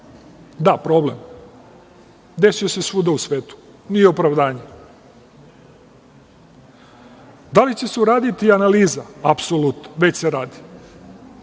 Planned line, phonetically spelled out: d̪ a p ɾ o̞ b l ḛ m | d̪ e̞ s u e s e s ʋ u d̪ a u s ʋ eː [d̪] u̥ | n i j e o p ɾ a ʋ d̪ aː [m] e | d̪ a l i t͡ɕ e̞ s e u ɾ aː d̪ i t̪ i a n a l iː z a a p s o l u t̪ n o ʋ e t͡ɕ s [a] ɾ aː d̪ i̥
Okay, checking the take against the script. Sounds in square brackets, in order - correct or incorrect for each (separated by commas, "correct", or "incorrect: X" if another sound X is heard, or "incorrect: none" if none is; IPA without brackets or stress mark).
incorrect: t̪, incorrect: ɲ, incorrect: e